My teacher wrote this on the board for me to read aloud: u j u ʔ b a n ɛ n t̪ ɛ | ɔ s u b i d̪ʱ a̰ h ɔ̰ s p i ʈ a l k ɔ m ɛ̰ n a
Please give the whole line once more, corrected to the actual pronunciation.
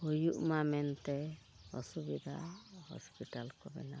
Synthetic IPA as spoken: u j u ʔ m a m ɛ n t̪ ɛ | ɔ s u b i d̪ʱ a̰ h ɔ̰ s p i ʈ a l k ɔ b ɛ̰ n a